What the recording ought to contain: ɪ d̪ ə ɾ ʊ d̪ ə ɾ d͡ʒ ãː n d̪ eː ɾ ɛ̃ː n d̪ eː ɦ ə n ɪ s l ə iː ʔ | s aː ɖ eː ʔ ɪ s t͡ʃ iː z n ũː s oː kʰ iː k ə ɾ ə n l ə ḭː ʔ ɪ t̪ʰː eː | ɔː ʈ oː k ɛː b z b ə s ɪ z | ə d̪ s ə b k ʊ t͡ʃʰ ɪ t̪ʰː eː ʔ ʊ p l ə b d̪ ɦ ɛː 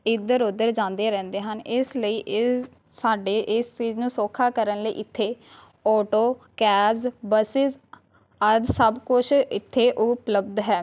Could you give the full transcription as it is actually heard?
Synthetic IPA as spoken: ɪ d̪ ə ɾ ʊ d̪ ə ɾ d͡ʒ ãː n d̪ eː ɾ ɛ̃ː n d̪ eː ɦ ə n ɪ s l ə iː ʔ | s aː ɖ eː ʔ ɪ s t͡ʃ iː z n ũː s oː kʰ aː k ə ɾ ə n l ə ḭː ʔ ɪ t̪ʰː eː | ɔː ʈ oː k ɛː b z b ə s ɪ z | ə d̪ s ə b k ʊ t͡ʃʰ ɪ t̪ʰː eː ʔ ʊ p l ə b d̪ ɦ ɛː